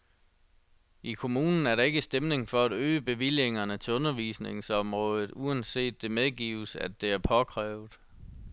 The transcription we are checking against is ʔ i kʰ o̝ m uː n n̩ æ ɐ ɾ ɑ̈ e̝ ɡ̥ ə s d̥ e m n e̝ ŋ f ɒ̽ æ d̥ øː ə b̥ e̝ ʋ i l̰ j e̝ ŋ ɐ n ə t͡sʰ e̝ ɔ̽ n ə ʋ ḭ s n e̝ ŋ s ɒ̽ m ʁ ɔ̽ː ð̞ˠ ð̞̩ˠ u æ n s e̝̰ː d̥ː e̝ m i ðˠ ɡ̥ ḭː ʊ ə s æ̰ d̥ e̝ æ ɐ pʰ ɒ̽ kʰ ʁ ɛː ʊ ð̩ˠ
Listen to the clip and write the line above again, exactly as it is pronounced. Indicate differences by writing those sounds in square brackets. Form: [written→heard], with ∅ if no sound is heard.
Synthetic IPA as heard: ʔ i kʰ o̝ m uː n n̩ æ ɐ ɾ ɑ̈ e̝ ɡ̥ ə s d̥ e m n e̝ ŋ f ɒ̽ æ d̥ øː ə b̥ e̝ ʋ i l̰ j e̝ ŋ ɐ n ə t͡sʰ e̝ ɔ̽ n [ə→ɐ] ʋ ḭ s n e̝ ŋ s ɒ̽ m ʁ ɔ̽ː ð̞ˠ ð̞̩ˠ u æ n s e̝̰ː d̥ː e̝ m [i→e] ðˠ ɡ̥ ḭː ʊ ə s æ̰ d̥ e̝ æ ɐ pʰ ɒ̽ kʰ ʁ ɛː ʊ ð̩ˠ